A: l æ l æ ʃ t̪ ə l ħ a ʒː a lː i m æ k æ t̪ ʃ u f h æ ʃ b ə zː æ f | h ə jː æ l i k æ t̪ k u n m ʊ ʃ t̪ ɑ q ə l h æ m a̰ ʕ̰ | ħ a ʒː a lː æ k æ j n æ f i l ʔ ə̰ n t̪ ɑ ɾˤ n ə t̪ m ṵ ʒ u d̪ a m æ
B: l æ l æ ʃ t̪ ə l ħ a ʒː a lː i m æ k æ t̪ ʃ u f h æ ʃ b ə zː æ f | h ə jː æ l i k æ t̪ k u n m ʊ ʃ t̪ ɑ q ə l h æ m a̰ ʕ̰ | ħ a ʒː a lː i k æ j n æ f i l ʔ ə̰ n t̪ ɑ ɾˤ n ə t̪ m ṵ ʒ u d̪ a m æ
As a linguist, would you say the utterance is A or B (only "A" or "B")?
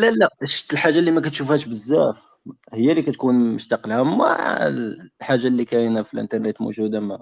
B